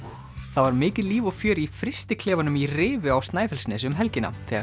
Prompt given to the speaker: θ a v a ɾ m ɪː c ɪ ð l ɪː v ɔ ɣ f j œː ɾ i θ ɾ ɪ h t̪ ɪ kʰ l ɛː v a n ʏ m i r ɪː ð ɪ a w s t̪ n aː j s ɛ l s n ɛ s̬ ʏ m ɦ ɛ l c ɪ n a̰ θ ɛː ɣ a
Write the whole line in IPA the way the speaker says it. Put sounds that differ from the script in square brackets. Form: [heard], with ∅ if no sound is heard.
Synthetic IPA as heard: θ a v a ɾ m ɪː c ɪ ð l [iː] v ɔ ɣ f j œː ɾ i [f] ɾ ɪ [s] t̪ ɪ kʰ l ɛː v a n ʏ m i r ɪː [v] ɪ a w s t̪ n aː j [f] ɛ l s n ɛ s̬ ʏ m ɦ ɛ l c ɪ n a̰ θ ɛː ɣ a